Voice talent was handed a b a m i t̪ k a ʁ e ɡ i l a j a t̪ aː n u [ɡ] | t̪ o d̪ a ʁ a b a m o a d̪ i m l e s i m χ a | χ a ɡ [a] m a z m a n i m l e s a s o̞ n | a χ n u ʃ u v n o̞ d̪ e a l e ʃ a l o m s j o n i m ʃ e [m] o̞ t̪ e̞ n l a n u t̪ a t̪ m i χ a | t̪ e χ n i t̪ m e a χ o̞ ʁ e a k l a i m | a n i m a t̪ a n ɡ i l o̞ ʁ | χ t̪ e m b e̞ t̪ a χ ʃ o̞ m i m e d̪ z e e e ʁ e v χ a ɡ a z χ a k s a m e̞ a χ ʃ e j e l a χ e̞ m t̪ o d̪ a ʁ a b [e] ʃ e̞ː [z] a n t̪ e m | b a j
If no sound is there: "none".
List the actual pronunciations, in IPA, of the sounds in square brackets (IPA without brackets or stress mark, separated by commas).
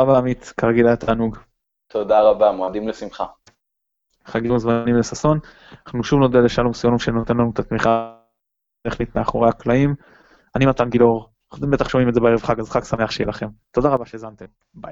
ɡ, i, n, a, z